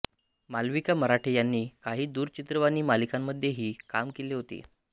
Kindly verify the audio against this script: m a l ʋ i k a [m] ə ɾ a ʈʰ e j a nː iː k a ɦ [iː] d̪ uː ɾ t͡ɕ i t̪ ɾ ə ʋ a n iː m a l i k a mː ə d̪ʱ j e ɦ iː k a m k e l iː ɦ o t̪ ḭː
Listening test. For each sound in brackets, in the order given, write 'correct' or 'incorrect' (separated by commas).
correct, correct